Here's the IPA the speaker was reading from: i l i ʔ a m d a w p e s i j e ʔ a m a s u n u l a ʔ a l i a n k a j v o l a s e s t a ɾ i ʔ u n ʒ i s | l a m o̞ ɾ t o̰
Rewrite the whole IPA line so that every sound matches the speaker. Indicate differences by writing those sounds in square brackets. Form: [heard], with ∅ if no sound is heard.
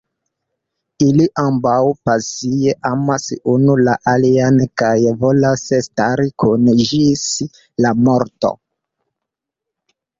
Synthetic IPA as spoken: i l i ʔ a m [b] a w p [a] s i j e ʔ a m a s u n u l a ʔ a l i a n k a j v o l a s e s t a ɾ i [k] u n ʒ i s | l a m o̞ ɾ t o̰